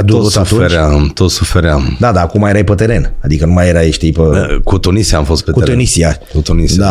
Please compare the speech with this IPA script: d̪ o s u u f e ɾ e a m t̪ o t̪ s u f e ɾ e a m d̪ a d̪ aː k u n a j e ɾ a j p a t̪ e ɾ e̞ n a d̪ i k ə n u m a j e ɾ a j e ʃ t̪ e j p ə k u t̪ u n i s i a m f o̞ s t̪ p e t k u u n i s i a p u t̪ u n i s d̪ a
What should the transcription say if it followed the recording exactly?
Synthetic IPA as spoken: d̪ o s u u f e ɾ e a m t̪ o t̪ s u f e ɾ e a m d̪ a d̪ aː k u m a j e ɾ a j p ə t̪ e ɾ e̞ n a d̪ i k ə n u m a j e ɾ a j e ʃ t̪ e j p ə k u t̪ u n i s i a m f o̞ s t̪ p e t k u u n i s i a k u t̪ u n i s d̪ a